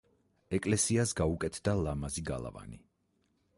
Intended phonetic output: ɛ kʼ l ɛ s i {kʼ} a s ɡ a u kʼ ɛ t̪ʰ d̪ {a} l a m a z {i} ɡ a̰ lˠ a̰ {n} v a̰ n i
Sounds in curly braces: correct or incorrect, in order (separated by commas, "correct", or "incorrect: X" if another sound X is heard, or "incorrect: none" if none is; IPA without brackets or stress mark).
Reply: incorrect: none, correct, correct, incorrect: none